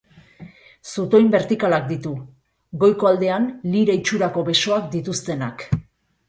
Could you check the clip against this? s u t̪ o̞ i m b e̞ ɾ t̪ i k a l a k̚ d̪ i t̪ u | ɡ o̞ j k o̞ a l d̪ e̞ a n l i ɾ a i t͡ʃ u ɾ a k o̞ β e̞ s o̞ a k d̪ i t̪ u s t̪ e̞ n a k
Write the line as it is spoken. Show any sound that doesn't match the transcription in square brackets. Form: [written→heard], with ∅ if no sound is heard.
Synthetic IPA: s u t̪ o̞ i m b e̞ ɾ t̪ i k a l a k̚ d̪ i t̪ u | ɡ o̞ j k o̞ a l d̪ e̞ a n l i ɾ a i t͡ʃ u ɾ a k o̞ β e̞ s o̞ a k d̪ i t̪ u s t̪ e̞ n a k